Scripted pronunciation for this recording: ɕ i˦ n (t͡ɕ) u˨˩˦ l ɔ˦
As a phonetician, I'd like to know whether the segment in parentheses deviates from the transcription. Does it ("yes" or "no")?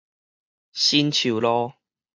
yes